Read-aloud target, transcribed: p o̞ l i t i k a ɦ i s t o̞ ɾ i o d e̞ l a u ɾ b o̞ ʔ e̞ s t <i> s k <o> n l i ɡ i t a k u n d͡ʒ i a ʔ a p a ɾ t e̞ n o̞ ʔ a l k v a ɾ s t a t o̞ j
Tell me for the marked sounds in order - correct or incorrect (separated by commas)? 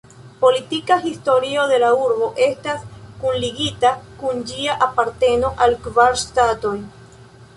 incorrect, incorrect